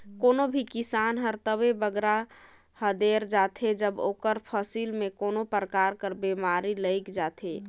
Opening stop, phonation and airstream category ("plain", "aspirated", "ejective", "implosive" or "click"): plain